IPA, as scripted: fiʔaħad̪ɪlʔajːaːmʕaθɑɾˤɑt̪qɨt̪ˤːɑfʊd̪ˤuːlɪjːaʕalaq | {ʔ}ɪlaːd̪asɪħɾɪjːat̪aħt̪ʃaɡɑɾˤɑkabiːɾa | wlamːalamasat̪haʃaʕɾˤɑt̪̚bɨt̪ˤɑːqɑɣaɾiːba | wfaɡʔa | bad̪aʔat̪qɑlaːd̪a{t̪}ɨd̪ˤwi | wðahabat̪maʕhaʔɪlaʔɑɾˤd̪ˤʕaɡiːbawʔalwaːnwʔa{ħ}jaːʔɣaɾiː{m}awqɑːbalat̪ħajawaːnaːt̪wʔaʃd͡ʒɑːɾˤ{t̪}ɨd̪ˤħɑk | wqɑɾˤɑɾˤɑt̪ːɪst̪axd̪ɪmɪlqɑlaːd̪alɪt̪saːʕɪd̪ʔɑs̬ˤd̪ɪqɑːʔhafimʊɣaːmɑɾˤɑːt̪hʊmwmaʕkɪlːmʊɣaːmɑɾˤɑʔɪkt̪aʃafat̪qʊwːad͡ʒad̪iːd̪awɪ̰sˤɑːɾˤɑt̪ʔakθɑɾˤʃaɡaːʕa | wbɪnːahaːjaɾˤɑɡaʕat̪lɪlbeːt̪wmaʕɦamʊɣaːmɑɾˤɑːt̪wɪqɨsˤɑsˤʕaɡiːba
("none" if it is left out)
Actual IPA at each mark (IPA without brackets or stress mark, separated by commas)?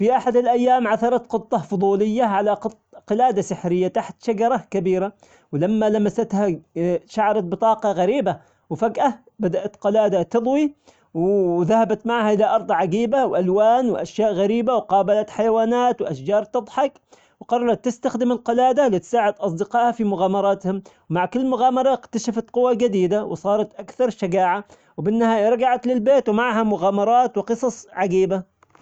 q, t̪, ʃ, b, t̪